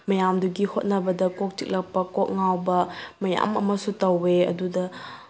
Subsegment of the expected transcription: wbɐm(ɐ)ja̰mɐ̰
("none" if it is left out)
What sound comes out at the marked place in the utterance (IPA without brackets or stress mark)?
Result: ɐ